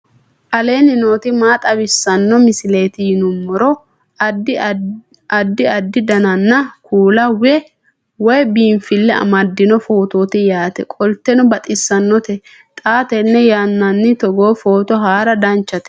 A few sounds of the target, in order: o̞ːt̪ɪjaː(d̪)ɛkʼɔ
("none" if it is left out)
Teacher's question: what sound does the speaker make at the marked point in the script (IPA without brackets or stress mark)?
t̪